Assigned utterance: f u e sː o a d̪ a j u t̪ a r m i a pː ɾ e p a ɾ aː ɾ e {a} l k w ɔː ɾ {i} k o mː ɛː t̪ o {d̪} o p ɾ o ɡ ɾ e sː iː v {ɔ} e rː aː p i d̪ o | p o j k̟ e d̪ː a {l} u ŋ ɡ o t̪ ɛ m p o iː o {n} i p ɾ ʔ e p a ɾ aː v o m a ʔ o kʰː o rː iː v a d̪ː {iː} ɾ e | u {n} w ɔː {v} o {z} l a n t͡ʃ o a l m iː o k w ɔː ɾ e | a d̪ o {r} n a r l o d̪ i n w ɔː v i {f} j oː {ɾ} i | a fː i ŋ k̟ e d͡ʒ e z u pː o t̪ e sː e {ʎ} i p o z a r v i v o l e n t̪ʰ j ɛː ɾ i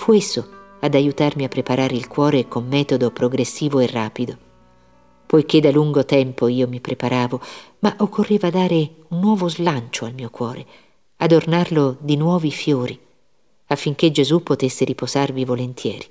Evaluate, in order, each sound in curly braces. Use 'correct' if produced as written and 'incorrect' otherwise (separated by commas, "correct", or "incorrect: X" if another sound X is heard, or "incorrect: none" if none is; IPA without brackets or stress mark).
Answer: incorrect: i, incorrect: e, correct, incorrect: o, correct, incorrect: m, incorrect: aː, incorrect: nː, correct, correct, correct, correct, correct, incorrect: ɾ